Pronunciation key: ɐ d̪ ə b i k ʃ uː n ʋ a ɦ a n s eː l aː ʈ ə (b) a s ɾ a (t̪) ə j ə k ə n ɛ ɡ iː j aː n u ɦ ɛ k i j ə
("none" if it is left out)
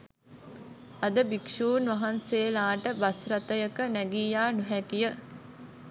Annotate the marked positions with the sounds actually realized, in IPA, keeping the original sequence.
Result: b, t̪

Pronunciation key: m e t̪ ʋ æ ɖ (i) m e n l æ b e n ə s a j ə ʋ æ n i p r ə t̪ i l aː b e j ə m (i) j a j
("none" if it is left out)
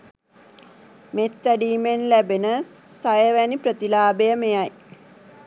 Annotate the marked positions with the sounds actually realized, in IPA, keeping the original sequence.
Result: iː, e

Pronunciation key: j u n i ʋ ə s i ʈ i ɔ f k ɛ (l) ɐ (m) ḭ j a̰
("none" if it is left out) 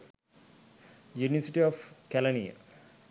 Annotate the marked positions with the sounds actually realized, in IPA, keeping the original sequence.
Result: l, n

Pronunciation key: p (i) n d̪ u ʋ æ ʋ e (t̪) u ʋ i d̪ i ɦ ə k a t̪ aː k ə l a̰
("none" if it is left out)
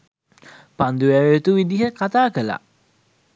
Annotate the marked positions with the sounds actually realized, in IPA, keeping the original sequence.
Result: a, t̪

